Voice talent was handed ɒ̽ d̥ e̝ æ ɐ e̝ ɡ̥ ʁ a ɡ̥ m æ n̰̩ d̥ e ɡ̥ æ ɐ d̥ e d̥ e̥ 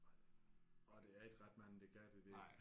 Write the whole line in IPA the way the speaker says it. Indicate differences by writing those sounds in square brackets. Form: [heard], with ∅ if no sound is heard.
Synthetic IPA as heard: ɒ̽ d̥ e̝ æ ɐ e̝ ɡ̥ ʁ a [d̥] m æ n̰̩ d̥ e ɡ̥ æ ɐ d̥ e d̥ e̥